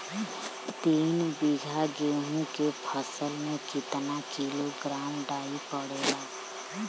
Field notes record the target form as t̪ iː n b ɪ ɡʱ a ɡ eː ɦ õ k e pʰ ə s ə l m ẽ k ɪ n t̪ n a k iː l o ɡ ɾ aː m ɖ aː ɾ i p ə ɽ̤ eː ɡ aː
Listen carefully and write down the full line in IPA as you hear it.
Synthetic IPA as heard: t̪ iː n b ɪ ɡʱ a ɡ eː ɦ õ k e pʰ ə s ə l m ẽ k ɪ t̪ n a k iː l o ɡ ɾ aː m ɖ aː i p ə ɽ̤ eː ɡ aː